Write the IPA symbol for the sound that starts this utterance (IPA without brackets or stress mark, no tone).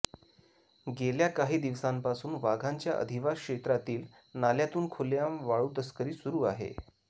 ɡ